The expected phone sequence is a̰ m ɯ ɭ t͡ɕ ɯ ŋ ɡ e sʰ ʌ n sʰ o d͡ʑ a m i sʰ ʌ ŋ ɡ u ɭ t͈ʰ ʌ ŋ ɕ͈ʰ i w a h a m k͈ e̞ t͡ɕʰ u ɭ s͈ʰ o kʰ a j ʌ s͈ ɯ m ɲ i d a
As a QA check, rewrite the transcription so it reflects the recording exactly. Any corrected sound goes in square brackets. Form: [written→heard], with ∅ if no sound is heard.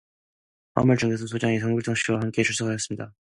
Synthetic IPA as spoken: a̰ m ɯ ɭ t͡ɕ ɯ ŋ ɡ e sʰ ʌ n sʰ o d͡ʑ a [m→ŋ] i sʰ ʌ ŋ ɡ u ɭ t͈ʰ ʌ ŋ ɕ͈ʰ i w a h a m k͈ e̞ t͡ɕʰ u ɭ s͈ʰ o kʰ a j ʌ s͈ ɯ m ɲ i d a